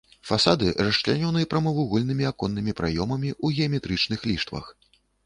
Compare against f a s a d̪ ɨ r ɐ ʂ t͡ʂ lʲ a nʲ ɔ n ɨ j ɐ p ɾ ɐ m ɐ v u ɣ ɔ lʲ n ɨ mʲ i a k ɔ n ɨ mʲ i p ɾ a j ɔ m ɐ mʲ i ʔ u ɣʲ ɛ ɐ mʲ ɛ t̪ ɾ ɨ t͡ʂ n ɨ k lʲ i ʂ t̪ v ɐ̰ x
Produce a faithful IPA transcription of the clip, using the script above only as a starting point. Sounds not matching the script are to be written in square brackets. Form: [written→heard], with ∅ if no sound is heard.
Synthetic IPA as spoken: f a s a d̪ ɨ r ɐ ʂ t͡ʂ lʲ a nʲ ɔ n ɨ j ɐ p ɾ ɐ m ɐ v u ɣ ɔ lʲ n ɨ mʲ i a k ɔ [n→nː] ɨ mʲ i p ɾ a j ɔ m ɐ mʲ i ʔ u ɣʲ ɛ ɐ mʲ ɛ t̪ ɾ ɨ t͡ʂ n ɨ [k→x] lʲ i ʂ t̪ v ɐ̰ x